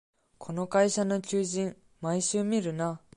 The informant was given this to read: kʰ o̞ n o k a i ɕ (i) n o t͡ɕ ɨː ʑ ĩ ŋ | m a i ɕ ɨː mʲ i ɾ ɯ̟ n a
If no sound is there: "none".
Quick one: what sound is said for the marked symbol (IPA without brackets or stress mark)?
a